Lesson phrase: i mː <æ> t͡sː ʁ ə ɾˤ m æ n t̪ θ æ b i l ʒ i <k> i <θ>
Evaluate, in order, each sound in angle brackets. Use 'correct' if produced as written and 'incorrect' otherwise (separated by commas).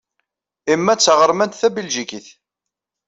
correct, correct, correct